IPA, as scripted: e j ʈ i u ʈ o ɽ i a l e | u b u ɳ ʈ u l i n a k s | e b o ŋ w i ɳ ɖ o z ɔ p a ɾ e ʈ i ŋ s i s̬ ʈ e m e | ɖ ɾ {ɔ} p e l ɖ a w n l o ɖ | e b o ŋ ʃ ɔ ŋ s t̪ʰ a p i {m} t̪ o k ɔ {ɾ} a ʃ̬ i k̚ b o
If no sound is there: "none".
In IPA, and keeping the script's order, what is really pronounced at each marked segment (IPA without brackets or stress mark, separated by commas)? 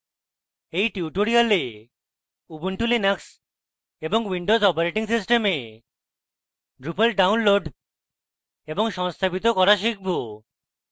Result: u, none, ɾ